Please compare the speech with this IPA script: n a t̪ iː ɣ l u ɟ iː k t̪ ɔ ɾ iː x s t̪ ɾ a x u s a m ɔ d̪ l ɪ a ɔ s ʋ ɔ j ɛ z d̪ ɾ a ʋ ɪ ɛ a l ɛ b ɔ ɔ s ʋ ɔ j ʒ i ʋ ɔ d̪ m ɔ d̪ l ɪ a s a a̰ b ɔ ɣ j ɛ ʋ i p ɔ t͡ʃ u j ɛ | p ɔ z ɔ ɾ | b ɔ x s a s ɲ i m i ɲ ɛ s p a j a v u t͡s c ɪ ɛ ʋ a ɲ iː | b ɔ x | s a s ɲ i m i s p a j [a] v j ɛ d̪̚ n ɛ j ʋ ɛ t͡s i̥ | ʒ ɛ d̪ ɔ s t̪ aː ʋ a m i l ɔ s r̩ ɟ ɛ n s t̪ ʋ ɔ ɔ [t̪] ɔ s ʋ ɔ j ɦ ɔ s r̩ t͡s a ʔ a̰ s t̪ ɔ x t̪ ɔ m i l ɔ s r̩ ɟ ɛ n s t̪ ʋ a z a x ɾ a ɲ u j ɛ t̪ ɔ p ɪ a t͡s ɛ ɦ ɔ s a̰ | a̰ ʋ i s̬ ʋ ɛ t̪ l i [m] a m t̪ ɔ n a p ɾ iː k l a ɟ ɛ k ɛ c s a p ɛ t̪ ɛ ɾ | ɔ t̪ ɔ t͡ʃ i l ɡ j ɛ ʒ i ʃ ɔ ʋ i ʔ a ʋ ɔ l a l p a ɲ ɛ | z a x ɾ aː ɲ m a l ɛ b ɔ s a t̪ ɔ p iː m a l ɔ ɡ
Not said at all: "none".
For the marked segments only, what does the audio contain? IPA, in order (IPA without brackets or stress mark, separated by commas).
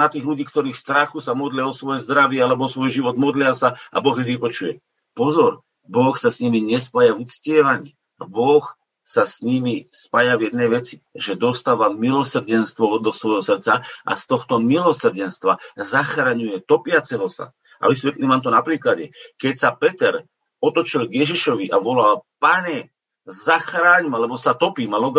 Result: a, d̪, m